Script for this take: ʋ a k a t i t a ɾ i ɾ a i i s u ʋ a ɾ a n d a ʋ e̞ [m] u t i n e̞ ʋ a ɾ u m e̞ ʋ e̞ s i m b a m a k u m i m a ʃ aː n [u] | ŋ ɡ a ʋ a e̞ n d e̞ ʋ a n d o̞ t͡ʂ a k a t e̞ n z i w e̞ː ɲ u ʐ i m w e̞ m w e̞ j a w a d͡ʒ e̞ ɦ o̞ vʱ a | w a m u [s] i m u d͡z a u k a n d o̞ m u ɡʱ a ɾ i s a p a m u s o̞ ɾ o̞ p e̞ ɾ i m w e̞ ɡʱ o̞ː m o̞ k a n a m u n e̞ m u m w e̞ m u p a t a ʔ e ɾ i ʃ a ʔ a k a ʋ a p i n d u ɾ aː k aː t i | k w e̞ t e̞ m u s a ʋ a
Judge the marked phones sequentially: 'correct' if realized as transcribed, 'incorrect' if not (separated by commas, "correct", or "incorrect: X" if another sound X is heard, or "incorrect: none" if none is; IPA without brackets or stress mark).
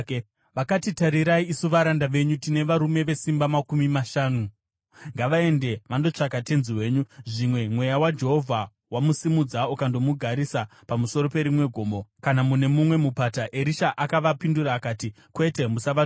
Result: incorrect: ɲ, correct, correct